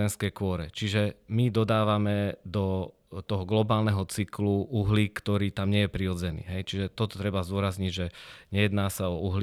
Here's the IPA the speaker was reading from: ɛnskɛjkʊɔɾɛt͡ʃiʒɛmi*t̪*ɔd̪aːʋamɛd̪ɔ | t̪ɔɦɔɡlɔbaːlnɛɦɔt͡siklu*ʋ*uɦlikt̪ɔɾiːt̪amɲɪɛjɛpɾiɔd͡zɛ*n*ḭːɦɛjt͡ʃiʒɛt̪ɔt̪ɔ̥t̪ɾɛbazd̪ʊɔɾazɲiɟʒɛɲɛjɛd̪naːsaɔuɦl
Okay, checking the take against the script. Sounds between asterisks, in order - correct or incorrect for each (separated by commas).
incorrect, incorrect, correct